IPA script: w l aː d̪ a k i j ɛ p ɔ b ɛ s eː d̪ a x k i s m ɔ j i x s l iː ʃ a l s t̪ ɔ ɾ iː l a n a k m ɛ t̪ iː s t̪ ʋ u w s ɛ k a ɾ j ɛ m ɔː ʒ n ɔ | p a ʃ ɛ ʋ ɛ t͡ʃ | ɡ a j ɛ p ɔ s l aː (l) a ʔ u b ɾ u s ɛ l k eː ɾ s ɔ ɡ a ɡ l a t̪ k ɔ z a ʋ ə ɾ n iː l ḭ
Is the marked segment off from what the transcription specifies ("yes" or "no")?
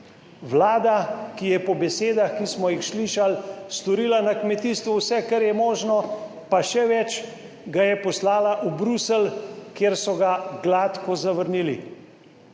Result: no